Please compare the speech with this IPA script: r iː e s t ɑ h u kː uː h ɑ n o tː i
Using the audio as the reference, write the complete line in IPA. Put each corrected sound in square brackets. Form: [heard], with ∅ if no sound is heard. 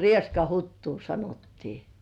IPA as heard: r [i] e s [k] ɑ h u [tː] uː [s] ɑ n o tː [iː]